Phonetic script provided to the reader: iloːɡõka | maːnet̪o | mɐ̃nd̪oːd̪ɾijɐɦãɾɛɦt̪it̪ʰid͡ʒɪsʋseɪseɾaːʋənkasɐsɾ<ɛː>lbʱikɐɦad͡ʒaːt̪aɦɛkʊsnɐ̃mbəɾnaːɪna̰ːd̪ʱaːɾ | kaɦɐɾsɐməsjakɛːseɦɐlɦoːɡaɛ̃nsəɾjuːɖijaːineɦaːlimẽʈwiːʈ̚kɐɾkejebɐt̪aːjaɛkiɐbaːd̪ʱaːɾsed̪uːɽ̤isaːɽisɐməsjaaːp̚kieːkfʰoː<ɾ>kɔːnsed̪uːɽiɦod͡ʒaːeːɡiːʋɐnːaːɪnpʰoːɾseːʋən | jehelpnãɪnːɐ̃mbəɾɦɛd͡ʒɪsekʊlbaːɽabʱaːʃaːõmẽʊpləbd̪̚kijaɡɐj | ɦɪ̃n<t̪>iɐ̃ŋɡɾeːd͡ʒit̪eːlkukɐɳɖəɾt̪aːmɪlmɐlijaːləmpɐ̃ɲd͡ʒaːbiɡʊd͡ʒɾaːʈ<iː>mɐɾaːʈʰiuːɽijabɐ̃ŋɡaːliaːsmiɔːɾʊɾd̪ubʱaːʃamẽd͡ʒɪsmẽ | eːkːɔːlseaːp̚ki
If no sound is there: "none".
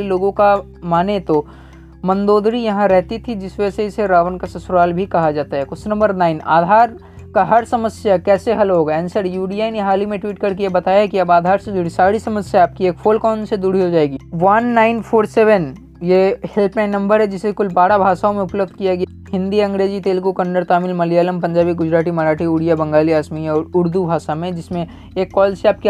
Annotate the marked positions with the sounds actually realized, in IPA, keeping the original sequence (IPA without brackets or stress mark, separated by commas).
aː, l, d̪, i